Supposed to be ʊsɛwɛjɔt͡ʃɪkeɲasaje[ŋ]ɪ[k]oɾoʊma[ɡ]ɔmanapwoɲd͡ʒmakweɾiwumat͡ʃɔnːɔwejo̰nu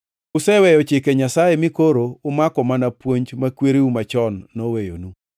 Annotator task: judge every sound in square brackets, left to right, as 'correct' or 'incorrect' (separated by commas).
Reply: incorrect, correct, incorrect